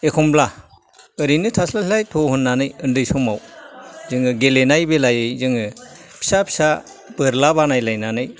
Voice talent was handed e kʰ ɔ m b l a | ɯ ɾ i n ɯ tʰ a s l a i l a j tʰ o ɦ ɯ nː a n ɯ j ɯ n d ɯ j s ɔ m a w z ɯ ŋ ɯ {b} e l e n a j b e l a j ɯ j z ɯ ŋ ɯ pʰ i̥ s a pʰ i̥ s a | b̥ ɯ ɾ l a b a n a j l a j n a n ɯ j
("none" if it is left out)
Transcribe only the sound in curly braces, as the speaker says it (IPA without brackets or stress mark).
ɡ